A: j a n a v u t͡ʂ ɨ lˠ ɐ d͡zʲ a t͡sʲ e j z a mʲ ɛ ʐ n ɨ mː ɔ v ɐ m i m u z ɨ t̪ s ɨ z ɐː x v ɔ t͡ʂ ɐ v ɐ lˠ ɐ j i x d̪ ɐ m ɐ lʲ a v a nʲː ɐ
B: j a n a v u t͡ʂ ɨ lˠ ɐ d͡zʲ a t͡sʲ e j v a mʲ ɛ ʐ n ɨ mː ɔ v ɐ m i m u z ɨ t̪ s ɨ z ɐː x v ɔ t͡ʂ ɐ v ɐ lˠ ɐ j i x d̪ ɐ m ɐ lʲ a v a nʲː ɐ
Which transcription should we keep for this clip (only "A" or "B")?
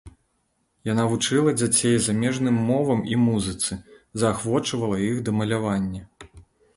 A